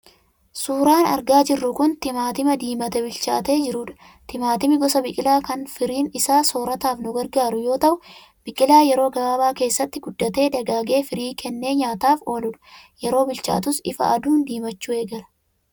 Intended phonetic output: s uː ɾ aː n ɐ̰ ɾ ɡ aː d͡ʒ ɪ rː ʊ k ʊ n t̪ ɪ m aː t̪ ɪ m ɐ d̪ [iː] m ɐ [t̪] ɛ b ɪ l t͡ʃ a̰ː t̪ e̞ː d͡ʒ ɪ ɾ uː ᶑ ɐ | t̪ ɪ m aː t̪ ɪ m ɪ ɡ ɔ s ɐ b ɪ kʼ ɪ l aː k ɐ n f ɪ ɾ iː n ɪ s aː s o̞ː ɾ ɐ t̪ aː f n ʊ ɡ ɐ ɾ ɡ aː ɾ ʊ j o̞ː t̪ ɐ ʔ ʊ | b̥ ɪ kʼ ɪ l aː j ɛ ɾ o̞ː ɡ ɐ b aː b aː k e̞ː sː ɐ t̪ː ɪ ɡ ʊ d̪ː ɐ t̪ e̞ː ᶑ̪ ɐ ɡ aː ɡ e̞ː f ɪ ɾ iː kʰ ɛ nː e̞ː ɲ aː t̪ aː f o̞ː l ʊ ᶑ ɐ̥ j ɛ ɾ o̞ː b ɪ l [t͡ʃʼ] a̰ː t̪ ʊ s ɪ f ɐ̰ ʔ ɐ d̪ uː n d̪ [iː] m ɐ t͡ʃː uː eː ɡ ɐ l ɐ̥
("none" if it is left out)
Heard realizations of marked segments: iː, t̪, t͡ʃ, iː

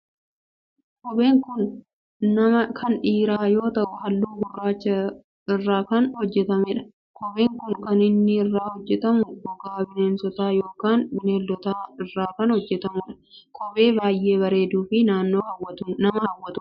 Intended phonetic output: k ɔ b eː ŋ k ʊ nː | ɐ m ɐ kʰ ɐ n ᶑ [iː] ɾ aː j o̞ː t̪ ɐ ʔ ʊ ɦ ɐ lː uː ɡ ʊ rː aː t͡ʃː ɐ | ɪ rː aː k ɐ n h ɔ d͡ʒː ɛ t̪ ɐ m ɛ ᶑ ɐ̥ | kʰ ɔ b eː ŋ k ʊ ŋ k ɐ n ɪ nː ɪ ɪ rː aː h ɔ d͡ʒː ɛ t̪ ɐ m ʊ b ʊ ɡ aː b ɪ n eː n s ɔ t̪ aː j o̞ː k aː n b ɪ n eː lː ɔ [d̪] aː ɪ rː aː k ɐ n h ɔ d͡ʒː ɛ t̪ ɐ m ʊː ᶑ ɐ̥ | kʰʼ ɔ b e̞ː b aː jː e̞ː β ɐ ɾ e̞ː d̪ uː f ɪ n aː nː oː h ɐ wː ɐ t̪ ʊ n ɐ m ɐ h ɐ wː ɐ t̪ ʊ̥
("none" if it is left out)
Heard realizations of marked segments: iː, t̪

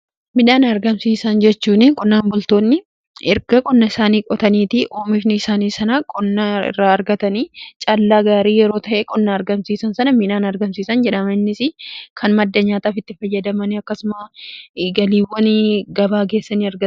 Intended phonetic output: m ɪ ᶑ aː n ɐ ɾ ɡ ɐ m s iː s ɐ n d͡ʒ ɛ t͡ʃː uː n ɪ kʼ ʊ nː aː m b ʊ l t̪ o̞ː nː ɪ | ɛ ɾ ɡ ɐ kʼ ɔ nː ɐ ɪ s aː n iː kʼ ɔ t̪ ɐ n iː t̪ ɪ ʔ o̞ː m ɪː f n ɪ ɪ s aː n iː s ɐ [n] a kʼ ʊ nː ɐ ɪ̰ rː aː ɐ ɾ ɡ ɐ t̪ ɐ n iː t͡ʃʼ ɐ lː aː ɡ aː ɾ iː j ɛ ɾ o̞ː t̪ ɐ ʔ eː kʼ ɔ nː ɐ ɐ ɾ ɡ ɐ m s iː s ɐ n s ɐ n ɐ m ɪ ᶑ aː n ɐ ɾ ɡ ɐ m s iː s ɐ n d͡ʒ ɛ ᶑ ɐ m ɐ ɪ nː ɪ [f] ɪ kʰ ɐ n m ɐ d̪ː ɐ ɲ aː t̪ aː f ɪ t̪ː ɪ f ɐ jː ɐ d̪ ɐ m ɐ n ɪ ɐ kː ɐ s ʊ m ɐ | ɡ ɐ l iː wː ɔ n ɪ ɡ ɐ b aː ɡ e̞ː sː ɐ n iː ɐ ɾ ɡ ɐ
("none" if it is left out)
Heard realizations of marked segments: n, s

